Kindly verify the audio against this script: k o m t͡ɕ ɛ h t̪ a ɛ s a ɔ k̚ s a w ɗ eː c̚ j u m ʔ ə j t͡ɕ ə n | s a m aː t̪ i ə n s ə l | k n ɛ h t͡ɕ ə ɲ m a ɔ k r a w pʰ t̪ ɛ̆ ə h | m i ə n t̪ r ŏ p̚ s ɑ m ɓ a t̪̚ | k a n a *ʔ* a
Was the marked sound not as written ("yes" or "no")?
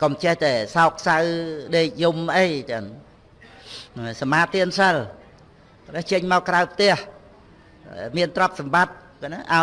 no